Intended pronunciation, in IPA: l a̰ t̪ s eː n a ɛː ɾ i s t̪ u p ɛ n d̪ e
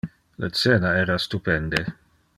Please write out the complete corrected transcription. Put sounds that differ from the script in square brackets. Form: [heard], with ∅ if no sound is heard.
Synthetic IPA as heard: l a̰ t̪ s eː n a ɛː ɾ [a] s t̪ u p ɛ n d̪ e